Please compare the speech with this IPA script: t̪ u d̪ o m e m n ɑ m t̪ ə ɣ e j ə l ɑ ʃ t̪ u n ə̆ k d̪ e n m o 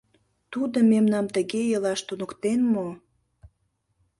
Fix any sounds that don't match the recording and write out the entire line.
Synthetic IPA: t̪ u d̪ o m e m n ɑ m t̪ ə ɣ e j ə l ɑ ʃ t̪ u n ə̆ k t̪ e n m o